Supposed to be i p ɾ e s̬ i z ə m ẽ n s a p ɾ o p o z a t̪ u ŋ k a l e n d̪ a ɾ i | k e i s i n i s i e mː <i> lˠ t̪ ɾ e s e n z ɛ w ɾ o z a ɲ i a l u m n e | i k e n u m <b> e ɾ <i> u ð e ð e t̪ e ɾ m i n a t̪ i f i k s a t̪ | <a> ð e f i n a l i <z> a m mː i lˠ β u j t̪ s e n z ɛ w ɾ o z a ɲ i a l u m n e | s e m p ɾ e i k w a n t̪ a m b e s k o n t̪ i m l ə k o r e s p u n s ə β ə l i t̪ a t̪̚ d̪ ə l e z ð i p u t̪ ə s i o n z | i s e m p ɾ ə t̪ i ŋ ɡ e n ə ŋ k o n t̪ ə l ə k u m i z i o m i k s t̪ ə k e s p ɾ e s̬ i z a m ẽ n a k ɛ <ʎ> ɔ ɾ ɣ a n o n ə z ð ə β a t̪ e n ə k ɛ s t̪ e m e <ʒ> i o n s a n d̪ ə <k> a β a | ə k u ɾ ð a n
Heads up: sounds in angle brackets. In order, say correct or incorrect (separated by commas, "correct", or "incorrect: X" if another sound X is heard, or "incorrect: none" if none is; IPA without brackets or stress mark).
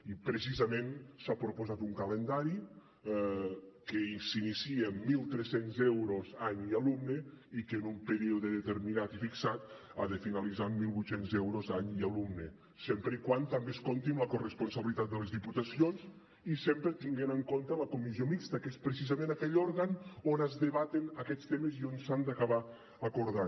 correct, incorrect: p, correct, correct, correct, correct, incorrect: z, correct